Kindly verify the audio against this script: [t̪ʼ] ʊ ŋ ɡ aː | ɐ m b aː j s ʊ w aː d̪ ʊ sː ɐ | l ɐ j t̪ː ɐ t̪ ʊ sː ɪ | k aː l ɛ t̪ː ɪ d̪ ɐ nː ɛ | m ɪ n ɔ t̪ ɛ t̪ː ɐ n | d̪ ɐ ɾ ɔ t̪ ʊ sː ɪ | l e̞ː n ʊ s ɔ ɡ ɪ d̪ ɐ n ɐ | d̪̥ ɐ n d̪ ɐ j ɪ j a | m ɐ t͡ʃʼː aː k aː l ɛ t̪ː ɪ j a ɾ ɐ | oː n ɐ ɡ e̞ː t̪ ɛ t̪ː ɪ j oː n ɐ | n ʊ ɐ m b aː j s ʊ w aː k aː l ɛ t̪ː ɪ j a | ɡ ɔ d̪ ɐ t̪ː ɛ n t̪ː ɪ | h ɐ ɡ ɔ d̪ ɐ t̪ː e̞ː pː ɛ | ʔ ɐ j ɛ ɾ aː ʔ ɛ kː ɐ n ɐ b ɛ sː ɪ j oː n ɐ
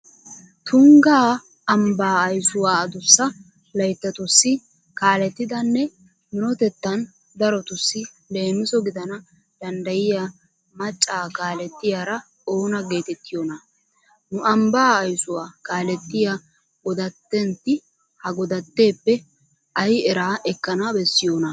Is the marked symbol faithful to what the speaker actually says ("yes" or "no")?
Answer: no